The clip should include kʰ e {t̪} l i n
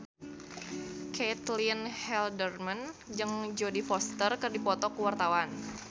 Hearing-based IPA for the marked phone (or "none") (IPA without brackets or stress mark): t̪